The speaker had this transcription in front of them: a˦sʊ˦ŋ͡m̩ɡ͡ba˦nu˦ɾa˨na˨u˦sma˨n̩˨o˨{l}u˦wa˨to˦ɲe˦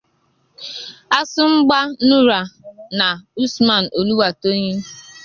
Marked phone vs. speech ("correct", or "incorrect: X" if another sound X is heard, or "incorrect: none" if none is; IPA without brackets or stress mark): correct